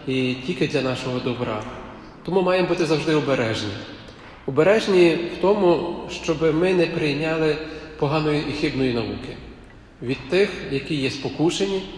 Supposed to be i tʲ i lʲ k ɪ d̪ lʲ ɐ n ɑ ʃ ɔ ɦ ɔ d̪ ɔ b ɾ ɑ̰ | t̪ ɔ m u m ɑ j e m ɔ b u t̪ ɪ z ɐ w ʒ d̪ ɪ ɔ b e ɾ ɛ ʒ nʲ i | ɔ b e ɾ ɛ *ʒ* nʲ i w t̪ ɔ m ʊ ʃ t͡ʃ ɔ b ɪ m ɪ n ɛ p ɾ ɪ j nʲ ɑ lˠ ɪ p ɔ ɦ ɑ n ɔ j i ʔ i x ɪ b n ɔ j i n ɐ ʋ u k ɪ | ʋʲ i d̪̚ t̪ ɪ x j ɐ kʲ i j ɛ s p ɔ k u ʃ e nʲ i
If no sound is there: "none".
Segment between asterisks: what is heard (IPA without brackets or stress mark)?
ʒ